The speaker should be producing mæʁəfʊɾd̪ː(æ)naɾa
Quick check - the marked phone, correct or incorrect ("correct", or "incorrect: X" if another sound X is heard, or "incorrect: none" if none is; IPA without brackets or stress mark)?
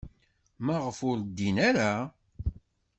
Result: incorrect: i